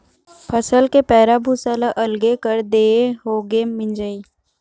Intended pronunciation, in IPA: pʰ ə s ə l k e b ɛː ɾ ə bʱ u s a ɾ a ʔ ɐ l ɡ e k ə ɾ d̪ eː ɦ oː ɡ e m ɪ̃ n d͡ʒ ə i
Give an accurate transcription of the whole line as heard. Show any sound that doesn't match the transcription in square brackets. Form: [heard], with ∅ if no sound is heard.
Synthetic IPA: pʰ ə s ə l k e [p] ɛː ɾ [a] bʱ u s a [l] a ʔ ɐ l ɡ e k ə ɾ d̪ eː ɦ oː ɡ e m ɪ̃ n d͡ʒ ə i